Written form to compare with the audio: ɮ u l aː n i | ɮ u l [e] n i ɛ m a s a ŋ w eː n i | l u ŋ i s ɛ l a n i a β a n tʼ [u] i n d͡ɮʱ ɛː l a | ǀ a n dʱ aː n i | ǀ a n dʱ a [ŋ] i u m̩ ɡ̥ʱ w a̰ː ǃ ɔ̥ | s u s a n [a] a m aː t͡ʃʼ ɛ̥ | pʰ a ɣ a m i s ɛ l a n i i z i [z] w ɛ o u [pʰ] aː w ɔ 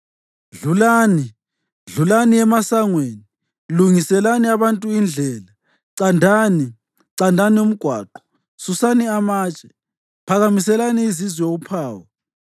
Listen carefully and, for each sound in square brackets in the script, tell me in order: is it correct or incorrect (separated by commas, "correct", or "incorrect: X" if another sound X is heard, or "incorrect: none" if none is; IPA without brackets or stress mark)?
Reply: incorrect: a, correct, incorrect: n, incorrect: i, correct, correct